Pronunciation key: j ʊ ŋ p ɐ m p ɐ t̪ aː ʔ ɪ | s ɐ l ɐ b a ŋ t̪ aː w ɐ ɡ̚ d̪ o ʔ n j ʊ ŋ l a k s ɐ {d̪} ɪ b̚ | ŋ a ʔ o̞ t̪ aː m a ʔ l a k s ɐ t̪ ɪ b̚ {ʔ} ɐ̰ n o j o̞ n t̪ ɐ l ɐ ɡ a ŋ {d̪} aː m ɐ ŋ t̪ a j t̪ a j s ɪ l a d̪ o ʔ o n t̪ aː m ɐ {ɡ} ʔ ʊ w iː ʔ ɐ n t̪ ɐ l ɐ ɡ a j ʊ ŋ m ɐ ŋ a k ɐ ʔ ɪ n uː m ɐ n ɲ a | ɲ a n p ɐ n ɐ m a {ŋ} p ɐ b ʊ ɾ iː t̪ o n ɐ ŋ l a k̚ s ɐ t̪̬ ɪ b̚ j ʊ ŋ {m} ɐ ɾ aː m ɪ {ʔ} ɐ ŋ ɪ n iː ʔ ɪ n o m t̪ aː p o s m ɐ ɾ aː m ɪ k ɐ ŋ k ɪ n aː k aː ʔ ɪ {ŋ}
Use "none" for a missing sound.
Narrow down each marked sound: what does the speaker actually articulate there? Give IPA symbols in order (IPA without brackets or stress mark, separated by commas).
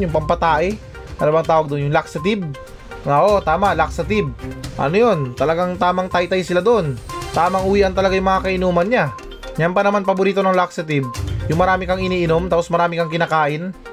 t̪, ʔ, t̪, ŋ, n, m, k, n